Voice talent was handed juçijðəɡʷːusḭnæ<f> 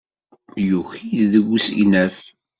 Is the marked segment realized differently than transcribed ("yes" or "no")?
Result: no